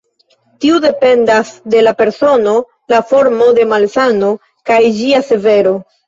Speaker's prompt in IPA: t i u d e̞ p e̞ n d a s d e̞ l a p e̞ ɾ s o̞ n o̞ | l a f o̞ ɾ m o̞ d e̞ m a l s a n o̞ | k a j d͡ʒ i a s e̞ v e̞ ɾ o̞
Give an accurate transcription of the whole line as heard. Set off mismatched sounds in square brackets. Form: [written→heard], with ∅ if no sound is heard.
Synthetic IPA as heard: t i u d e̞ p e̞ n d a s d e̞ l a p e̞ ɾ s o̞ n o̞ | l a f o̞ ɾ m o̞ d e̞ m a l s a n o̞ | k a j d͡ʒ i a s e̞ v e̞ ɾ o̞